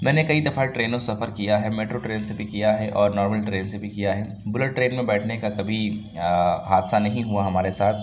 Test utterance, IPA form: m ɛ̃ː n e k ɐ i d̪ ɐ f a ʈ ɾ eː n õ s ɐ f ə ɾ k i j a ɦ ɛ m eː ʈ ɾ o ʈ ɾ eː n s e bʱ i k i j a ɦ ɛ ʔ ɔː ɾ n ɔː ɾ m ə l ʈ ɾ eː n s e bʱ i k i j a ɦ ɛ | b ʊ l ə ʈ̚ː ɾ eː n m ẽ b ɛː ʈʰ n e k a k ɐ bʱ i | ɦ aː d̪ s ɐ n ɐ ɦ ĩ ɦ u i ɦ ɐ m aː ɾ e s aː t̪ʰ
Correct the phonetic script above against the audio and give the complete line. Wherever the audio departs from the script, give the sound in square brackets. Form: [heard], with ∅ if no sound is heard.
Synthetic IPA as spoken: m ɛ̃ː n e k ɐ i d̪ ɐ f a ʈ ɾ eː n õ s ɐ f ə ɾ k i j a ɦ ɛ m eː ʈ ɾ o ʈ ɾ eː n s e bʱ i k i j a ɦ ɛ ʔ ɔː ɾ n ɔː ɾ m ə l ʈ ɾ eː n s e bʱ i k i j a ɦ ɛ | b ʊ l ə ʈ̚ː ɾ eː n m ẽ b ɛː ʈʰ n e k a k ɐ bʱ i | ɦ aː d̪ s [a] n ɐ ɦ ĩ ɦ u [a] ɦ ɐ m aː ɾ e s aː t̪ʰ